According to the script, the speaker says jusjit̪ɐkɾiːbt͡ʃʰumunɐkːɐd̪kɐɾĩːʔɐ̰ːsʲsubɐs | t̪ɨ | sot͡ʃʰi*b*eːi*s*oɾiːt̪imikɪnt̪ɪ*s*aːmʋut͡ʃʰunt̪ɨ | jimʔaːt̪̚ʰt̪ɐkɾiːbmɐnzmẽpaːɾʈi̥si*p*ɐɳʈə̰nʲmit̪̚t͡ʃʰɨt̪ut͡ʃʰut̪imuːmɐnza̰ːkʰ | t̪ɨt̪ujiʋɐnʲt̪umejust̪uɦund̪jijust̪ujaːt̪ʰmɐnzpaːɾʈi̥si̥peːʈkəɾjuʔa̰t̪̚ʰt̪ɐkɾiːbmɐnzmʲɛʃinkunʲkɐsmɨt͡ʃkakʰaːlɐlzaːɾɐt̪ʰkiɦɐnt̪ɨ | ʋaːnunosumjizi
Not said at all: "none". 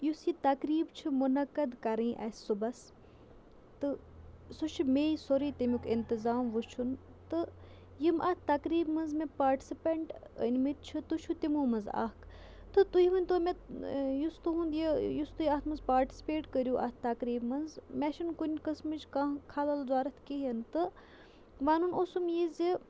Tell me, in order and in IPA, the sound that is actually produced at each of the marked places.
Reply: m, s, z, p

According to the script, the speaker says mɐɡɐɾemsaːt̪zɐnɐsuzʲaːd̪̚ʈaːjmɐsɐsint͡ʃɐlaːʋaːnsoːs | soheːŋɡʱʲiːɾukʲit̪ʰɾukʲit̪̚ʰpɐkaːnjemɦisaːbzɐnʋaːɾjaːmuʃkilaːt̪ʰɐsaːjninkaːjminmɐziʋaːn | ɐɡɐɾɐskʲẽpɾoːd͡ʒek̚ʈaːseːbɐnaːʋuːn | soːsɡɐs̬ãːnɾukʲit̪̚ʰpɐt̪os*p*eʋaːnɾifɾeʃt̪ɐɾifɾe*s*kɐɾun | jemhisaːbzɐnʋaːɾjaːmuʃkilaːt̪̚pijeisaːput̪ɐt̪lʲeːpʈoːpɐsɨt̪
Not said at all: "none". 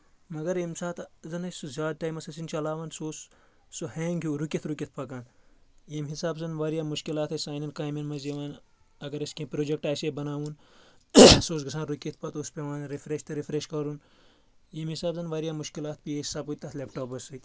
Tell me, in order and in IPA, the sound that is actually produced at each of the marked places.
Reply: p, ʃ

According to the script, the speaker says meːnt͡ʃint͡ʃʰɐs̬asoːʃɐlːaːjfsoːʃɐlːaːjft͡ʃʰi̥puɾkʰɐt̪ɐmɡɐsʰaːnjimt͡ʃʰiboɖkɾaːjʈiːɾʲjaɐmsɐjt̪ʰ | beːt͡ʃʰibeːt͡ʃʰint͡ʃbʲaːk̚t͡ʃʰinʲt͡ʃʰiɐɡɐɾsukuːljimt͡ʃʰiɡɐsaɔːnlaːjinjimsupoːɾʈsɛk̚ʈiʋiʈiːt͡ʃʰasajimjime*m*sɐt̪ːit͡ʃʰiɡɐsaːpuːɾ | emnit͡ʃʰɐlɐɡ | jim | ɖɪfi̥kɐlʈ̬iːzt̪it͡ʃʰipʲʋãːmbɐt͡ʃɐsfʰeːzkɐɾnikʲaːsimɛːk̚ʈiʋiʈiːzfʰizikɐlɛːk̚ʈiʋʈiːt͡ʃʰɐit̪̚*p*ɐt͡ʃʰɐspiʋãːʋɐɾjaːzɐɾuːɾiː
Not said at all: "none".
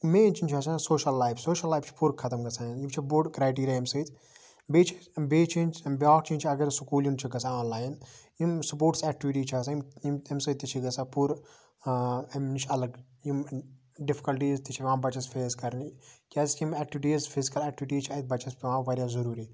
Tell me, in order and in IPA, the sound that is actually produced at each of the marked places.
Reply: m, b

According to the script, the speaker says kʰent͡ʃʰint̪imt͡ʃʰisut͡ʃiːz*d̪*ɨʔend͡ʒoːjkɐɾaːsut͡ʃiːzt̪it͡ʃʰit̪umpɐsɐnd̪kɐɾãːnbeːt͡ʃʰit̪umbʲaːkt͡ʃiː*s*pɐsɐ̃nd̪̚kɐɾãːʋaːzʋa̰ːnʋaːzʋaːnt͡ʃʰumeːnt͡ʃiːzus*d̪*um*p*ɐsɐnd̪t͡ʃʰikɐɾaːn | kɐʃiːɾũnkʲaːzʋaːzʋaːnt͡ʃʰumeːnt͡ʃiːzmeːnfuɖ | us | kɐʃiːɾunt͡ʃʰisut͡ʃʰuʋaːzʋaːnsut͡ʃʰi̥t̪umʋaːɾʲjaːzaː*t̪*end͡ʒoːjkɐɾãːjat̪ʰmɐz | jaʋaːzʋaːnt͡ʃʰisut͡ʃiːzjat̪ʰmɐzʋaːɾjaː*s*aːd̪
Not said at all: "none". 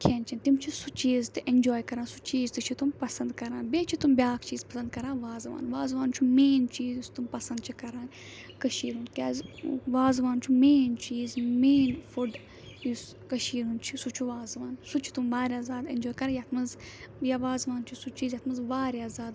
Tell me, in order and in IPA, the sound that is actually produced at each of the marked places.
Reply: t̪, z, t̪, p, d̪, z

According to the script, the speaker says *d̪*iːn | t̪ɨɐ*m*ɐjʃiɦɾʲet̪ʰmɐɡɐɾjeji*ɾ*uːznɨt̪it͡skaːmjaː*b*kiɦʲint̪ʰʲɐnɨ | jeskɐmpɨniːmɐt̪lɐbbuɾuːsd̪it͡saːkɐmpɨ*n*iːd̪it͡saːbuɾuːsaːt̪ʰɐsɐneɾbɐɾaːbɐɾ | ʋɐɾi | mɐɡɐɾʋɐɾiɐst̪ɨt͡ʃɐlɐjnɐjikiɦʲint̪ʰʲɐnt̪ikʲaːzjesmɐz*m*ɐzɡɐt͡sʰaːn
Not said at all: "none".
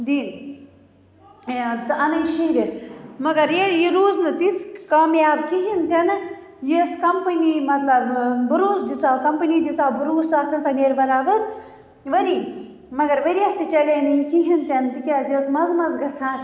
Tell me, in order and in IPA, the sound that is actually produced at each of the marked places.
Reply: d̪, n, ɾ, b, n, m

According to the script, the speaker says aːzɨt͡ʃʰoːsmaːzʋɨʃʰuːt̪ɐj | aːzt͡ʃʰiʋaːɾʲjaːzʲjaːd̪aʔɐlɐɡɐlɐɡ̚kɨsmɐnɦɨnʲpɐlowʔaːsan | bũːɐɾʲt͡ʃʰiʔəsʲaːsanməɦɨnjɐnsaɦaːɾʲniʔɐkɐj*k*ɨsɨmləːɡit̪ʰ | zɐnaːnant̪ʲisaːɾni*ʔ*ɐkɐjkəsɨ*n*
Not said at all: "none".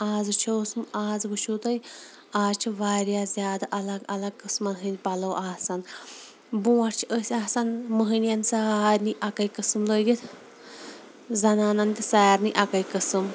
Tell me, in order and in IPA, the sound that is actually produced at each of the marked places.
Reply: k, ʔ, m

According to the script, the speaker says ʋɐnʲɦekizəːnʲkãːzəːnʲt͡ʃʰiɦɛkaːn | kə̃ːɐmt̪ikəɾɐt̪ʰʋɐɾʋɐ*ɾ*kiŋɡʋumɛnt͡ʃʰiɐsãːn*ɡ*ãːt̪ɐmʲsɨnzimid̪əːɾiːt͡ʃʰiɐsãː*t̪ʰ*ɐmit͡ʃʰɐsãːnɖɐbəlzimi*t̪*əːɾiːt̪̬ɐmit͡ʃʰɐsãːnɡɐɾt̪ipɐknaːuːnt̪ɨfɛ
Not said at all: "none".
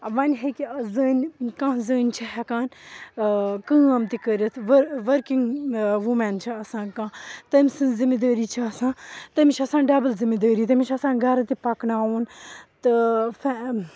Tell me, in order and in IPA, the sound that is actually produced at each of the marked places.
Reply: ɾ, k, t̪, d̪

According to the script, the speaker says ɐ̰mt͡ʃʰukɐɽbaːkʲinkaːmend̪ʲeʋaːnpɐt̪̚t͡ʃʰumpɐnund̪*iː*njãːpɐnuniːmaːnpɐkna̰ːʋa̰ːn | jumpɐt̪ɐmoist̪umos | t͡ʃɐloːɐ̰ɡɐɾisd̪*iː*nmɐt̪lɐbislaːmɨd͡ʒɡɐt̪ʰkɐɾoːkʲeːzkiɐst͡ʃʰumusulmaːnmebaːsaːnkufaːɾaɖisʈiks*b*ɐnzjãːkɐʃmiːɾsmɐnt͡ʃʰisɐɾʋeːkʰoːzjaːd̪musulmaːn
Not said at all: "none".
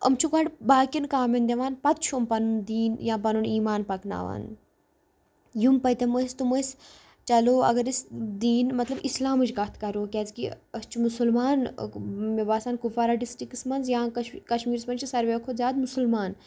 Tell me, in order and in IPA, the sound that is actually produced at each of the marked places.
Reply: iː, iː, m

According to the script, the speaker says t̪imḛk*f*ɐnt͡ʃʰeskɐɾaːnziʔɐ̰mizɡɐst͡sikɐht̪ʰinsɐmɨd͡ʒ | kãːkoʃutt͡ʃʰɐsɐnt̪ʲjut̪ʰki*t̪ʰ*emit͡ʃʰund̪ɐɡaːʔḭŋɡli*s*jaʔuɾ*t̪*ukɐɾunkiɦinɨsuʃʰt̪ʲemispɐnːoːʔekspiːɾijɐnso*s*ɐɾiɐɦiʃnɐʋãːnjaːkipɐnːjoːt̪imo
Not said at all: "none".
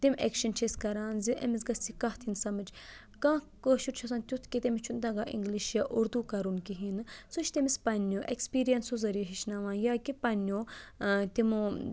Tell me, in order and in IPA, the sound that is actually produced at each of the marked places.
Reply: ʃ, t̪, ʃ, d̪, z

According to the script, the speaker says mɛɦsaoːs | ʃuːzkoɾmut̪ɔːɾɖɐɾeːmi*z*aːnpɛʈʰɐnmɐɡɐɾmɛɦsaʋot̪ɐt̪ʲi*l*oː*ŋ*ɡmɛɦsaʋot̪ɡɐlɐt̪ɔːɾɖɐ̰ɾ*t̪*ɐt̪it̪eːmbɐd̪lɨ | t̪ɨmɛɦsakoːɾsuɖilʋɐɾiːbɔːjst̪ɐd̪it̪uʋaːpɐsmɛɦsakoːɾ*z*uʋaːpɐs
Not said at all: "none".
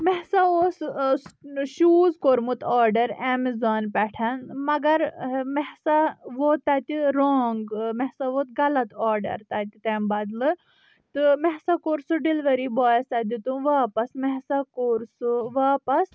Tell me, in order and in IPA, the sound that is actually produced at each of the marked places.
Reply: z, ɾ, ŋ, t̪, s

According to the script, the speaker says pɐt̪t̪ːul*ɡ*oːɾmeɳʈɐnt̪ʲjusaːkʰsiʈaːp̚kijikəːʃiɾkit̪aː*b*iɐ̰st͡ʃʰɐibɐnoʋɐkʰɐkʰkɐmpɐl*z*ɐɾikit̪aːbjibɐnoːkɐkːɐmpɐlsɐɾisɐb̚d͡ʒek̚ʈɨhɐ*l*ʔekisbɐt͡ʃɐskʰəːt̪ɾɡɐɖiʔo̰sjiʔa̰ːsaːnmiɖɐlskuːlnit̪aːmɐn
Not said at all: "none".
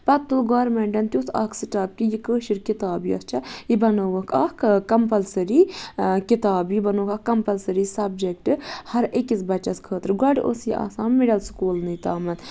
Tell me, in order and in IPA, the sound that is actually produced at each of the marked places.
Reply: ɡ, b, s, ɾ

